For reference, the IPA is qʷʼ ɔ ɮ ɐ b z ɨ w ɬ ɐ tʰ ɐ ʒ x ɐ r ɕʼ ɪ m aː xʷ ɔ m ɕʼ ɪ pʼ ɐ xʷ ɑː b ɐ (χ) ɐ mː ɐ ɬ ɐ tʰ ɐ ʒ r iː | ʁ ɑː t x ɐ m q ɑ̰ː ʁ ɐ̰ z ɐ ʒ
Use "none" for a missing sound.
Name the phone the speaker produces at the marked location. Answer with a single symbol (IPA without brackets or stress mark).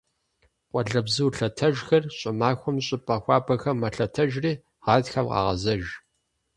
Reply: x